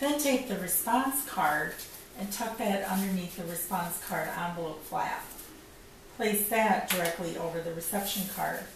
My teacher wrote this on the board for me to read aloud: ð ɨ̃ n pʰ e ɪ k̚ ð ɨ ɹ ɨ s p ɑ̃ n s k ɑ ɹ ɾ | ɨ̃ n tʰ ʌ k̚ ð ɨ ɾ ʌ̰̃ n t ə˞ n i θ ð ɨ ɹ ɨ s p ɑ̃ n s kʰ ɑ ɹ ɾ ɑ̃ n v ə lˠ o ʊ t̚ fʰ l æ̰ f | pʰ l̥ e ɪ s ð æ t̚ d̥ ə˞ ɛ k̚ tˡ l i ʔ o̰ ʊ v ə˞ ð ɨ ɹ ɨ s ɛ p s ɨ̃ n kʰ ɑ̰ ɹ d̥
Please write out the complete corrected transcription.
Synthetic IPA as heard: ð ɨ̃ n tʰ e ɪ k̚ ð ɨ ɹ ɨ s p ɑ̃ n s kʰ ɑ ɹ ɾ | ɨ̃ n tʰ ʌ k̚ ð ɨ ɾ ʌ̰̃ n d ə˞ n i θ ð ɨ ɹ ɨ s p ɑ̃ n s kʰ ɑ ɹ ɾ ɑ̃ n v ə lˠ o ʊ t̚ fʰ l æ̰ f | pʰ l̥ e ɪ s ð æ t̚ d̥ ə˞ ɛ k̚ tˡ l i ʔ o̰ ʊ v ə˞ ð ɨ ɹ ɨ s ɛ p ʃ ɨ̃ n kʰ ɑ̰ ɹ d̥